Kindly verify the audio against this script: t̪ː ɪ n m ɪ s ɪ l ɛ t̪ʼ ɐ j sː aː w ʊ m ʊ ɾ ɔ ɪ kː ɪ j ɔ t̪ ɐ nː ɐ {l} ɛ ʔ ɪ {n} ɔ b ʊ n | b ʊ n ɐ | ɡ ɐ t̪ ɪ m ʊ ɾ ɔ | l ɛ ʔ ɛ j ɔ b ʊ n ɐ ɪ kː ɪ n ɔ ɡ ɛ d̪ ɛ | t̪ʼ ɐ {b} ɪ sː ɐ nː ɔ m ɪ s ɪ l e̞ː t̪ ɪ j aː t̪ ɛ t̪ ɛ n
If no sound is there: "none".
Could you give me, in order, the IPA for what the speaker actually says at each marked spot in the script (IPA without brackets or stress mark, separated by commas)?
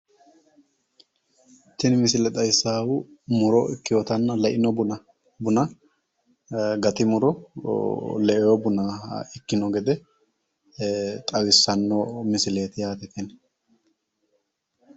l, n, w